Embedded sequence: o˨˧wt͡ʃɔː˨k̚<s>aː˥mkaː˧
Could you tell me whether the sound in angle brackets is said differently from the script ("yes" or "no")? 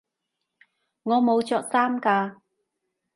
no